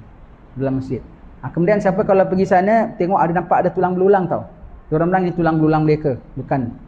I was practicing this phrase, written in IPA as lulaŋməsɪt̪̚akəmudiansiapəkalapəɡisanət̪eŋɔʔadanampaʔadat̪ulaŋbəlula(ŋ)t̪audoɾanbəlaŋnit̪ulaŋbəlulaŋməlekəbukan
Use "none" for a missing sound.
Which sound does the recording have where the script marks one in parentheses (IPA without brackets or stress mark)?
ŋ